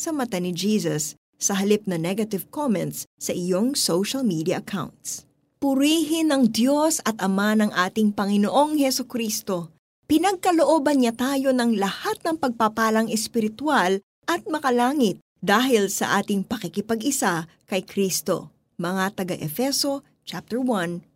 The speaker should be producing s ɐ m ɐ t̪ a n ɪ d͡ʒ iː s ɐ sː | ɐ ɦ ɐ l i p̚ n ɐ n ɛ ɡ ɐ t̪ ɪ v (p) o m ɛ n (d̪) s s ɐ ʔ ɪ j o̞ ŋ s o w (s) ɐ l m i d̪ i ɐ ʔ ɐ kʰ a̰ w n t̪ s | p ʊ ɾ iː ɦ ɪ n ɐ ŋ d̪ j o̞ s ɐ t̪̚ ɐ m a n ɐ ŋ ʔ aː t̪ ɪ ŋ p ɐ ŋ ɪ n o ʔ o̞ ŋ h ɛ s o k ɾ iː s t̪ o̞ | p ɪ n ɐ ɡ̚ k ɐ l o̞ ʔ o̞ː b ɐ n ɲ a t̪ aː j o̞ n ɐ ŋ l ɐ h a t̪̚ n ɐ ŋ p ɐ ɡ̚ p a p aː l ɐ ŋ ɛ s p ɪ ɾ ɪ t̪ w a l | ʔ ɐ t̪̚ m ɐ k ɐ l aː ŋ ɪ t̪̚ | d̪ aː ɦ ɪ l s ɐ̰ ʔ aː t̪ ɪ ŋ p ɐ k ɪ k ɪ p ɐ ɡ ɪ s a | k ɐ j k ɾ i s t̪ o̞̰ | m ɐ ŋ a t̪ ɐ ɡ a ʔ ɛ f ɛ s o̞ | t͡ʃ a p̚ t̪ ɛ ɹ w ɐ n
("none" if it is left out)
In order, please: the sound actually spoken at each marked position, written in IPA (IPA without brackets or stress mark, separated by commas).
k, t̪, ʃ